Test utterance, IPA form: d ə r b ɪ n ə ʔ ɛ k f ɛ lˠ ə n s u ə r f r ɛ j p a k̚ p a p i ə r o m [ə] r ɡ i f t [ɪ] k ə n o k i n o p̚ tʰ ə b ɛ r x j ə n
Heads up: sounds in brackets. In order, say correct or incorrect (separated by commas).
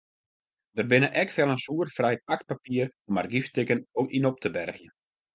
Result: incorrect, correct